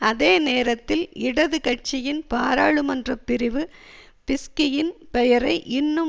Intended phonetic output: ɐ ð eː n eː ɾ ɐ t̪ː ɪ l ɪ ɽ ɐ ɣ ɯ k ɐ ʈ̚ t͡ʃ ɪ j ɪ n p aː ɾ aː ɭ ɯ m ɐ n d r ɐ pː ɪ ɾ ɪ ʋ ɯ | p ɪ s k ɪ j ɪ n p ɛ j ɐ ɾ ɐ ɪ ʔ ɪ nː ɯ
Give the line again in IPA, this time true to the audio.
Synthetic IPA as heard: ɐ ð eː n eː ɾ ɐ t̪ː ɪ l ɪ ɽ ɐ ð ɯ k ɐ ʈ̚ t͡ʃ ɪ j ɪ n p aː ɾ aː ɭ ɯ m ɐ n d r ɐ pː ɪ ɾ ɪ ʋ ɯ | p ɪ s k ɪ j ɪ n p ɛ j ɐ ɾ ɐ ɪ ʔ ɪ nː ɯ

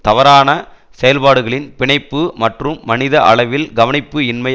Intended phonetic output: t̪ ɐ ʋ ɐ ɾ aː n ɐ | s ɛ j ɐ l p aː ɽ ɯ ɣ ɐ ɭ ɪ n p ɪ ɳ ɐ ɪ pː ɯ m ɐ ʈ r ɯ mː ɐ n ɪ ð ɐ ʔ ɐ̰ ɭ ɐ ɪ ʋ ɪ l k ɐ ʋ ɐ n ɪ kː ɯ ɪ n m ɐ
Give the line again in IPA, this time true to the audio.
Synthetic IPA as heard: t̪ ɐ ʋ ɐ ɾ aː n ɐ | s ɛ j ɐ l p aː ɽ ɯ ɣ ɐ ɭ ɪ n p ɪ ɳ ɐ ɪ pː ɯ m ɐ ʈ r ɯ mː ɐ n ɪ ð ɐ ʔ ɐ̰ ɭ ɐ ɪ ʋ ɪ l ɡ ɐ ʋ ɐ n ɪ pː ɯ ɪ n m ɐ

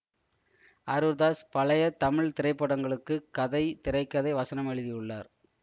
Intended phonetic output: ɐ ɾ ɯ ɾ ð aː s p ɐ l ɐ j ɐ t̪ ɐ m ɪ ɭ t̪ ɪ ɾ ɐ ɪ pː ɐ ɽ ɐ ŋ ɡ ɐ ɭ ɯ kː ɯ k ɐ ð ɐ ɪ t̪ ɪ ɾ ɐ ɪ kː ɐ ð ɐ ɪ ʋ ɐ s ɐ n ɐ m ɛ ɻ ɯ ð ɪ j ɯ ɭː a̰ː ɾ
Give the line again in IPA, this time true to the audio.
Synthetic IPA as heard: ɐ ɾ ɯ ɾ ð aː s p ɐ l ɐ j ɐ t̪ ɐ m ɪ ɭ t̪ ɪ ɾ ɐ ɪ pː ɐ ɽ ɐ ŋ ɡ ɐ ɭ ɯ kː ɯ k ɐ ð ɐ ɪ t̪ ɪ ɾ ɐ ɪ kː ɐ ð ɐ ɪ ʋ ɐ s ɐ n ɐ m ɛ ɻ ɯ ð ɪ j ɯ ɭː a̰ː ɾ

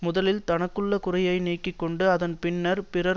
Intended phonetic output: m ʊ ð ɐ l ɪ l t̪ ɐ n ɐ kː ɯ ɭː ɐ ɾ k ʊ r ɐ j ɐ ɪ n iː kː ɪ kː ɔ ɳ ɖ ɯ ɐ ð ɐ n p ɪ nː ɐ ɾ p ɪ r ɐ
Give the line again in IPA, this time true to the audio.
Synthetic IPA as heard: m ʊ ð ɐ l ɪ l t̪ ɐ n ɐ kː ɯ ɭː ɐ k ʊ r ɐ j ɐ ɪ n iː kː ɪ kː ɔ ɳ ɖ ɯ ɐ ð ɐ n p ɪ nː ɐ ɾ p ɪ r ɐ

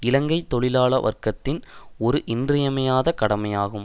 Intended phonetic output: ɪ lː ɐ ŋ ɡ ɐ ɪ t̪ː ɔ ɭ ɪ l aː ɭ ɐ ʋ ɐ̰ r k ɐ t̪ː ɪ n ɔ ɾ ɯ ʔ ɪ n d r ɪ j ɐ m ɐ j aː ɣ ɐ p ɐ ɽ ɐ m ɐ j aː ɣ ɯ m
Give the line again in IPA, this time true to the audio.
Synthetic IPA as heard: ɪ l ɐ ŋ ɡ ɐ ɪ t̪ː ɔ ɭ ɪ l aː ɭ ɐ ʋ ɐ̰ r k ɐ t̪ː ɪ n ɔ ɾ ɯ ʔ ɪ n d r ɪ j ɐ m ɐ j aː ð ɐ k ɐ ɽ ɐ m ɐ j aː ɣ ɯ m

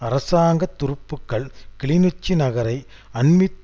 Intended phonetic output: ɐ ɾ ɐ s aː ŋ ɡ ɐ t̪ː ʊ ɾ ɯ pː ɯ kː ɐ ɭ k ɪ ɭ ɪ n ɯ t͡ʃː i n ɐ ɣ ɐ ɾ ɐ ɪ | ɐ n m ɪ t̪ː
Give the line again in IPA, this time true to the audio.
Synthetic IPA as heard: ɐ ɾ ɐ s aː ŋ ɡ ɐ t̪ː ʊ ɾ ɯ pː ɯ kː ɐ ɭ k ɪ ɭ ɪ n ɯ t͡ʃː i n ɐ ɣ ɐ ɾ ɐ ɪ | ɐ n m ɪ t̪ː

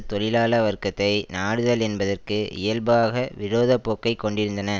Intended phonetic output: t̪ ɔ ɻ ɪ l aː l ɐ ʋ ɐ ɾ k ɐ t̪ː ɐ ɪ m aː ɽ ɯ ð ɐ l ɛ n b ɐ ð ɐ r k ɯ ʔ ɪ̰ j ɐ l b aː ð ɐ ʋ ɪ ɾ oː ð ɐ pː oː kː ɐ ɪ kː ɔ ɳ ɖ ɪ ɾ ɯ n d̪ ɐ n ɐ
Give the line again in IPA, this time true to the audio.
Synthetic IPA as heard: t̪ ɔ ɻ ɪ l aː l ɐ ʋ ɐ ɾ k ɐ t̪ː ɐ ɪ n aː ɽ ɯ ð ɐ l ɛ n b ɐ ð ɐ r k ɯ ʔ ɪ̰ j ɐ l b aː ɣ ɐ ʋ ɪ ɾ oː ð ɐ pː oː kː ɐ ɪ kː ɔ ɳ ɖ ɪ ɾ ɯ n d̪ ɐ n ɐ

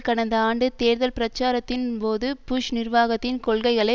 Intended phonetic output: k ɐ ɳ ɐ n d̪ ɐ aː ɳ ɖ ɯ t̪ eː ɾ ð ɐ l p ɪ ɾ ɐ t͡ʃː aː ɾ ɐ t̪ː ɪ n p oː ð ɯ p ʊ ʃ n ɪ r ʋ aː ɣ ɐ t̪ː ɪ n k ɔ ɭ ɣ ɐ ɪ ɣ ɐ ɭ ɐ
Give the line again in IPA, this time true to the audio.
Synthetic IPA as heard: k ɐ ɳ ɐ n d̪ ɐ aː ɳ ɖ ɯ t̪ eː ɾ ð ɐ l p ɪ ɾ ɐ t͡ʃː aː ɾ ɐ t̪ː ɪ n p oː ð ɯ p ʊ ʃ n ɪ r ʋ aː ɣ ɐ t̪ː ɪ n k ɔ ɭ ɣ ɐ ɪ ɣ ɐ ɭ ɐ

